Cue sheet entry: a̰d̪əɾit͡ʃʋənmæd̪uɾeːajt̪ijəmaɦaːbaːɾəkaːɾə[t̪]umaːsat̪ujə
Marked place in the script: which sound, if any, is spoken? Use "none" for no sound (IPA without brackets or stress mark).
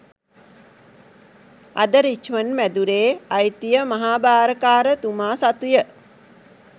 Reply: t̪